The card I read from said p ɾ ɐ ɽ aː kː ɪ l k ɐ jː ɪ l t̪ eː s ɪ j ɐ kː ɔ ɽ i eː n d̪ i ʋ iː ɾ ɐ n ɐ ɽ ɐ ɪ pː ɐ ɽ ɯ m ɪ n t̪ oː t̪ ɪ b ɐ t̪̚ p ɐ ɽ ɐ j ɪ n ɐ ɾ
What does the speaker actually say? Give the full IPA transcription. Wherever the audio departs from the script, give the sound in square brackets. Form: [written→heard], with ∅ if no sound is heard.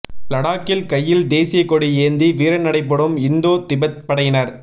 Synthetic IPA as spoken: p [ɾ→l] ɐ ɽ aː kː ɪ l k ɐ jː ɪ l [t̪→d̪] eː s ɪ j ɐ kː ɔ ɽ i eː n d̪ i ʋ iː ɾ ɐ n ɐ ɽ ɐ ɪ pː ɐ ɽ ɯ m ɪ n [t̪→d̪] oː t̪ ɪ b ɐ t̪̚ p ɐ ɽ ɐ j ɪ n ɐ ɾ